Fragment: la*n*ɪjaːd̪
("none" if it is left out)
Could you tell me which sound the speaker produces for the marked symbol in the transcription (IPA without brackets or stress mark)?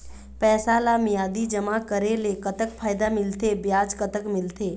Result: m